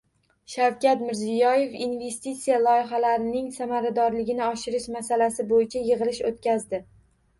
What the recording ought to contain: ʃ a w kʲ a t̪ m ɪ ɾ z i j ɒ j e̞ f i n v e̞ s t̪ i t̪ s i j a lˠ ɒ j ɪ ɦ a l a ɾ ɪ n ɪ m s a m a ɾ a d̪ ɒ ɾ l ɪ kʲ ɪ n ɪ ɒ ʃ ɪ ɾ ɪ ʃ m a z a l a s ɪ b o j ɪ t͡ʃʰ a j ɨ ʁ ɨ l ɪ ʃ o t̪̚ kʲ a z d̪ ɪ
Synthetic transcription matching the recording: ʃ a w kʲ a t̪ m ɪ ɾ z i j ɒ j e̞ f i n v e̞ s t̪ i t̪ s i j a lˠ ɒ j ɪ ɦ a l a ɾ ɪ n ɪ ŋ s a m a ɾ a d̪ ɒ ɾ l ɪ ɡʲ ɪ n ɪ ɒ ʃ ɪ ɾ ɪ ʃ m a s a l a s ɪ b o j ɪ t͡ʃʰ a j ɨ ʁ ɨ l ɪ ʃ o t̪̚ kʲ a z d̪ ɪ